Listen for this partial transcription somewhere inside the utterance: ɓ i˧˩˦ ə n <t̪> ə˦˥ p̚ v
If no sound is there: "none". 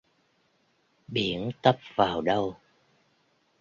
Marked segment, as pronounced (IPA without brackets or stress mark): t̪